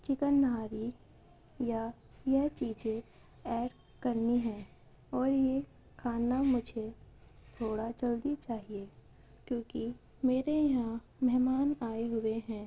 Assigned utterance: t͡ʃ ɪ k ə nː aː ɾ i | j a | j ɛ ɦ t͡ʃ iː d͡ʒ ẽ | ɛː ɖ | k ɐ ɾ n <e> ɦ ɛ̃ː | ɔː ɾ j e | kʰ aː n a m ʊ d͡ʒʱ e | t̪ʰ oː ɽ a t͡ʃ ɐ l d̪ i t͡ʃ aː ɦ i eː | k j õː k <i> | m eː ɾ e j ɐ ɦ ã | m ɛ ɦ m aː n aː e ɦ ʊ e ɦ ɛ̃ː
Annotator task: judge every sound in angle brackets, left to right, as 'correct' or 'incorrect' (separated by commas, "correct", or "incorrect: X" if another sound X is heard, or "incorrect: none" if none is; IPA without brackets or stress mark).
incorrect: i, correct